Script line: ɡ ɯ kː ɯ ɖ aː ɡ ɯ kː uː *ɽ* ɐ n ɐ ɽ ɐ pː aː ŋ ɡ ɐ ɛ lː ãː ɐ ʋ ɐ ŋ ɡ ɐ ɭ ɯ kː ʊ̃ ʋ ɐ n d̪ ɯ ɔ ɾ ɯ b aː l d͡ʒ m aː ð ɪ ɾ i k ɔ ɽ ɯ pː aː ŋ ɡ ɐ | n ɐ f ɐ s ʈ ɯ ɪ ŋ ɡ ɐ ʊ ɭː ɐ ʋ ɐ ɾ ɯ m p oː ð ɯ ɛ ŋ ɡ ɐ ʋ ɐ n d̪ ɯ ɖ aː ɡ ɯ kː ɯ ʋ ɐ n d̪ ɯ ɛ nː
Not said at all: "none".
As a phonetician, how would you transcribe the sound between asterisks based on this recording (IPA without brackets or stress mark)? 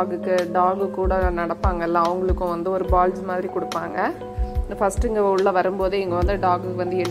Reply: ɽ